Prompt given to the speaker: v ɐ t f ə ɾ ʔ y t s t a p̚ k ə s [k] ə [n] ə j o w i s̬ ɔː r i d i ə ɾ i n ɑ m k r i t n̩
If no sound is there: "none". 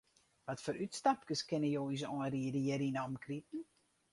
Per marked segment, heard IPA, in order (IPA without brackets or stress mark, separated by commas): k, n